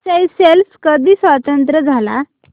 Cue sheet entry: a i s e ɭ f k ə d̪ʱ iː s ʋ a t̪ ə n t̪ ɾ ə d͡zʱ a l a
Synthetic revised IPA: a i s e l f k ə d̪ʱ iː s ʋ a t̪ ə n t̪ ɾ ə d͡zʱ a l a